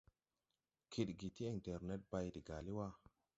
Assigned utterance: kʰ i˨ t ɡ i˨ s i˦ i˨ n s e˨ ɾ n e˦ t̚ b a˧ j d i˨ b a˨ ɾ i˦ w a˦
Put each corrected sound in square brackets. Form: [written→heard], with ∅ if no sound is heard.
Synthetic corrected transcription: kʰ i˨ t ɡ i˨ [s→t] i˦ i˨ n [s→t] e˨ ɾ n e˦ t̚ b a˧ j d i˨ [b→ɡ] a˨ [ɾ→l] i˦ w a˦

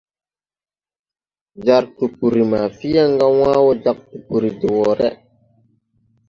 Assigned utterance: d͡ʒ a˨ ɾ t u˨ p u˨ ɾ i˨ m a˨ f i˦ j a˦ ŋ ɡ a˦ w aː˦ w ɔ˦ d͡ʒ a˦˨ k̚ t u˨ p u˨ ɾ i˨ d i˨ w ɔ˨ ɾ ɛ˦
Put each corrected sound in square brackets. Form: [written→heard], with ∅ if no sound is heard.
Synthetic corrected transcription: d͡ʒ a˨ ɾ t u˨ p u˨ ɾ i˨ m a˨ f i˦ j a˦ ŋ ɡ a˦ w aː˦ w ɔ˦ d͡ʒ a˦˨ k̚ t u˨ p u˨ ɾ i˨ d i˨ w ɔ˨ ɾ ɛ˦

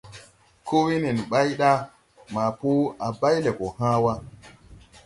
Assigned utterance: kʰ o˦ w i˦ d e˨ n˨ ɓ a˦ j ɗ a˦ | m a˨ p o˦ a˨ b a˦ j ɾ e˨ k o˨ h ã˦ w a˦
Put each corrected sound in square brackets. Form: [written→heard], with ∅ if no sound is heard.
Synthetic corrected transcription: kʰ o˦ w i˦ [d→n] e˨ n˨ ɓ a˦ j ɗ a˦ | m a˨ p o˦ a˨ b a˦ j [ɾ→l] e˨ k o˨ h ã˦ w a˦

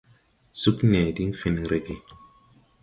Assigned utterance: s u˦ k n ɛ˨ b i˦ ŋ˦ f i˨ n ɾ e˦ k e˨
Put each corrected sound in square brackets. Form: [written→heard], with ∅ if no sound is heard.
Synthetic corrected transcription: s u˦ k n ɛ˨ [b→d] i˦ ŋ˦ f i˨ n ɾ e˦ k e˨

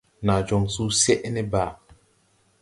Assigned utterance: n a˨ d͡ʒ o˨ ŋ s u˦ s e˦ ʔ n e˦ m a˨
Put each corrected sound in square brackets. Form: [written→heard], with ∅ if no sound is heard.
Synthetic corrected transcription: n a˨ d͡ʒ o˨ ŋ s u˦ s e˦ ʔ n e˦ [m→b] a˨

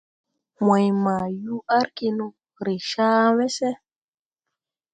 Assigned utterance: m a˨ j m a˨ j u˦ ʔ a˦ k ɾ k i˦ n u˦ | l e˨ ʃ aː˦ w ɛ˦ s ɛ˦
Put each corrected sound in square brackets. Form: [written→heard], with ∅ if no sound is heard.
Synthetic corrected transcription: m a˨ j m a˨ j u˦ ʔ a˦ [k→∅] ɾ k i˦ n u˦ | [l→ɾ] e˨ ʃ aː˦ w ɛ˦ s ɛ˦

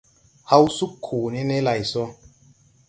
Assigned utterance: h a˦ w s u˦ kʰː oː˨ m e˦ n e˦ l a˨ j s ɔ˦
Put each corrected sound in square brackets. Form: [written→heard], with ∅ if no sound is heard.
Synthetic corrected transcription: h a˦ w s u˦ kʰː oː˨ [m→n] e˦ n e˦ l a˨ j s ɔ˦

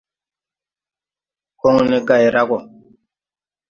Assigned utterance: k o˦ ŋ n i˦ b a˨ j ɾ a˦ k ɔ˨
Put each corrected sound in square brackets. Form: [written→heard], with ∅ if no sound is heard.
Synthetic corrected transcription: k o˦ ŋ n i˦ [b→ɡ] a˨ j ɾ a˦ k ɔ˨

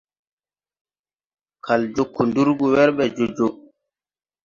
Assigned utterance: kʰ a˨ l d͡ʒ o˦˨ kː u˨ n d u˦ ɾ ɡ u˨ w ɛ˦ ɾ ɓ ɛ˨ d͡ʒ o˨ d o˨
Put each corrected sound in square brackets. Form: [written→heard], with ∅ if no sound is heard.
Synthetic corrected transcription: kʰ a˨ l d͡ʒ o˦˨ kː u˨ n d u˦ ɾ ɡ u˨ w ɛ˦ ɾ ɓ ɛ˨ d͡ʒ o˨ [d→d͡ʒ] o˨

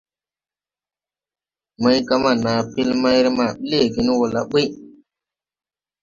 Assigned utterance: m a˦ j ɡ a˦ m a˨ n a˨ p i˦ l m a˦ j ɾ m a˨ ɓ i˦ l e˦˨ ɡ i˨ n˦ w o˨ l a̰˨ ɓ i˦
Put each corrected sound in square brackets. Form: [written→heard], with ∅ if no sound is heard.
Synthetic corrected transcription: m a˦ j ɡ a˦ m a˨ n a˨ p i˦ l m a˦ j ɾ m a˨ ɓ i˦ l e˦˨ ɡ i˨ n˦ w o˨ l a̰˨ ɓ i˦

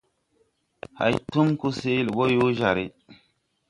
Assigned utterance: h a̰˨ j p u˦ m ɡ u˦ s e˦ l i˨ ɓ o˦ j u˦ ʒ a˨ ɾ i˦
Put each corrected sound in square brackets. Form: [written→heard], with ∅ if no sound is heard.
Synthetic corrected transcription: h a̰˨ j [p→t] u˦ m [ɡ→k] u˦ s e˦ l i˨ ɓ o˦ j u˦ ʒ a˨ ɾ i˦

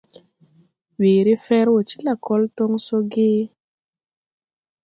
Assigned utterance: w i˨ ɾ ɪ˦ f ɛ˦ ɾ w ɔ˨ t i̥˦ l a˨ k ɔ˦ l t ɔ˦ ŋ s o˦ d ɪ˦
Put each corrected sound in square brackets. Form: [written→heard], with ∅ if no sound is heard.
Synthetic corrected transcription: w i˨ ɾ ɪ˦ f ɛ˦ ɾ w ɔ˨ [t→t͡ʃ] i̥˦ l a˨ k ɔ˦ l t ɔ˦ ŋ s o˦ [d→ɡ] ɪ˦

